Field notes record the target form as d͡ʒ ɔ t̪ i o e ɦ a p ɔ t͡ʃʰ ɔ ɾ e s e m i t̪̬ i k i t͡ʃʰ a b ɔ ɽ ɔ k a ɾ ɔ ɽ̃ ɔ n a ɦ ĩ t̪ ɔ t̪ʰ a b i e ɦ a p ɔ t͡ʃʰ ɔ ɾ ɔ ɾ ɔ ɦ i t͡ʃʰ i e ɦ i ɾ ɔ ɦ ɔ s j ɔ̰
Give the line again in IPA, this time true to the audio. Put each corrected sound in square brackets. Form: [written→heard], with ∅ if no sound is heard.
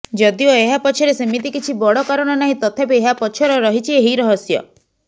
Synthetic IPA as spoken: d͡ʒ ɔ [t̪→d̪] i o e ɦ a p ɔ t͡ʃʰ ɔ ɾ e s e m i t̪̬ i k i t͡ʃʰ [a→i] b ɔ ɽ ɔ k a ɾ ɔ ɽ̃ ɔ n a ɦ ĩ t̪ ɔ t̪ʰ a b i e ɦ a p ɔ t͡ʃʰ ɔ ɾ ɔ ɾ ɔ ɦ i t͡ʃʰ i e ɦ i ɾ ɔ ɦ ɔ s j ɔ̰